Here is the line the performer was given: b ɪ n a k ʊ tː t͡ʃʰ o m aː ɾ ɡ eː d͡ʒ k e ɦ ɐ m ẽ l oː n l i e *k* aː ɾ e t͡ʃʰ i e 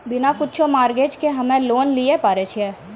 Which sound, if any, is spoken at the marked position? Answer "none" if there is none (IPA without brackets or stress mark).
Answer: p